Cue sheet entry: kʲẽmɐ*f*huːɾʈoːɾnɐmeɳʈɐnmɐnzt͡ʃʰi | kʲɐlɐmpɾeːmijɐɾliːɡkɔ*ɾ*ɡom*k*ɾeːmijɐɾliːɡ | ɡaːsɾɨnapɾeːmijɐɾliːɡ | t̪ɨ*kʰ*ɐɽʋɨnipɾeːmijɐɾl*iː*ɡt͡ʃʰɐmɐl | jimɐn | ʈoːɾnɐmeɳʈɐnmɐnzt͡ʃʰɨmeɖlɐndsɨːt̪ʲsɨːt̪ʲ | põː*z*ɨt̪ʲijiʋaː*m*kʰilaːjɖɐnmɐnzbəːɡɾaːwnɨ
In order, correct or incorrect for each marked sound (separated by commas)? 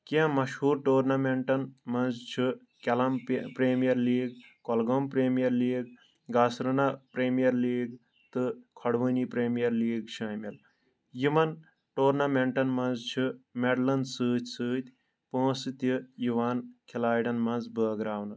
incorrect, incorrect, incorrect, correct, correct, incorrect, incorrect